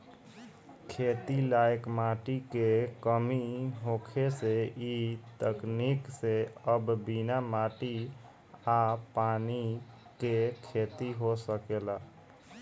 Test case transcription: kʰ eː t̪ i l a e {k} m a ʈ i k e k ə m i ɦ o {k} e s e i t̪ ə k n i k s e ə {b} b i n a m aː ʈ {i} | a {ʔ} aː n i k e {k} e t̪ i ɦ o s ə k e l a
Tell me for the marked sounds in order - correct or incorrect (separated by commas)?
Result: correct, incorrect, correct, correct, incorrect, incorrect